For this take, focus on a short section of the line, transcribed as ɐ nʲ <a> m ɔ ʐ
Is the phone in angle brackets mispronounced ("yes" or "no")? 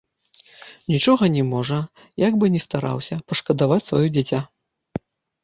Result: yes